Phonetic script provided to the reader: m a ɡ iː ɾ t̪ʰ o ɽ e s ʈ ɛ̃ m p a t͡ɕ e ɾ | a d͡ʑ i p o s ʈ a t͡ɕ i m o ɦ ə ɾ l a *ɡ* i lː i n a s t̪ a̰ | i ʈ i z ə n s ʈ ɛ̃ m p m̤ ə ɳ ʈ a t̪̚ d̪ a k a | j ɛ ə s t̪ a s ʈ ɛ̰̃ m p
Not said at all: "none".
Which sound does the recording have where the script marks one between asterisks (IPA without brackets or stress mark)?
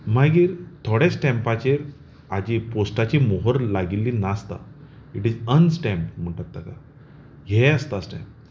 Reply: ɡ